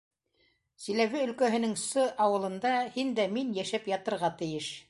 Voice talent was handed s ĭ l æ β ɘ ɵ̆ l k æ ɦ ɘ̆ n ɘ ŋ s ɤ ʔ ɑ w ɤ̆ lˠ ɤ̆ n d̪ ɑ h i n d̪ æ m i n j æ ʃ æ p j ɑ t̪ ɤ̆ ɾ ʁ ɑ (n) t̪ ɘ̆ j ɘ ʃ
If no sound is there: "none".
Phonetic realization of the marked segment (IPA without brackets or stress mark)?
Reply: none